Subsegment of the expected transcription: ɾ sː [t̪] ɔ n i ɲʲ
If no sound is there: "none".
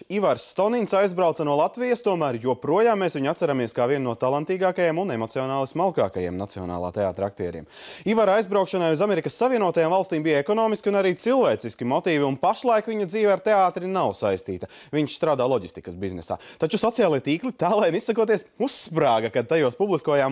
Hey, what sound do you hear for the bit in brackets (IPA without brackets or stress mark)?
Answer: t̪